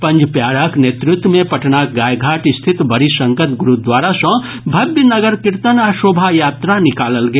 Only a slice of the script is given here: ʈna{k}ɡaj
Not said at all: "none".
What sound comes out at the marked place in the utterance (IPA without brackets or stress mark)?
k